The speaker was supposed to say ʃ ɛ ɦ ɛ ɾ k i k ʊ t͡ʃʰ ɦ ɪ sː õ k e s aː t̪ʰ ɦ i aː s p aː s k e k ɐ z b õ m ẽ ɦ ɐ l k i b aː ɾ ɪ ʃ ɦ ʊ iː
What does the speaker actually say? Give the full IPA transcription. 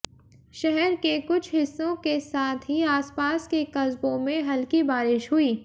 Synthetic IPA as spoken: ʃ ɛ ɦ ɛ ɾ k e k ʊ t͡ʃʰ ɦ ɪ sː õ k e s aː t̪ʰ ɦ i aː s p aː s k e k ɐ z b õ m ẽ ɦ ɐ l k i b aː ɾ ɪ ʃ ɦ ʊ iː